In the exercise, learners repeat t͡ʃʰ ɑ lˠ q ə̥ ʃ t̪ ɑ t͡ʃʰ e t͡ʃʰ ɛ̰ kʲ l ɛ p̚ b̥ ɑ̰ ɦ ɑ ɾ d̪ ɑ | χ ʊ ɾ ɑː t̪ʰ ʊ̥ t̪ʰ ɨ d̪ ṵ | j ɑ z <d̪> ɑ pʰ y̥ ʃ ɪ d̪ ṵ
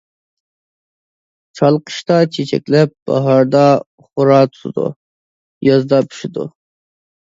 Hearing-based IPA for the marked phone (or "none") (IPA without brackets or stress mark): d̪